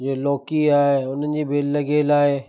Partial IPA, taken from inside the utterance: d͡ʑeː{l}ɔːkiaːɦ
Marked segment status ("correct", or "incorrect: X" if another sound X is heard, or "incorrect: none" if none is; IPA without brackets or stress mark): correct